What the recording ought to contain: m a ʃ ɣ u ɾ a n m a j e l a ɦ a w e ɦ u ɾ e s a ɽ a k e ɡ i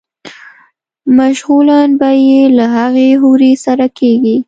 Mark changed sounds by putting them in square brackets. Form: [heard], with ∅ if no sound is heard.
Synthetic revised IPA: m a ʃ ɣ u [l] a n [b] a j e l a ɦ a [ɣ] e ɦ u ɾ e s a [ɾ] a k e ɡ i